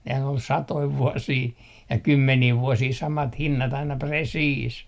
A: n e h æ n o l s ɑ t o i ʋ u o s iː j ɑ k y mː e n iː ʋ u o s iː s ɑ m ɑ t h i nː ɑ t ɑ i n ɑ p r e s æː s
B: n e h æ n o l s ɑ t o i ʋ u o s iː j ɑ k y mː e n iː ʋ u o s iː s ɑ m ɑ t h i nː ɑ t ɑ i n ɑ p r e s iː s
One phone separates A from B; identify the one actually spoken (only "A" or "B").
B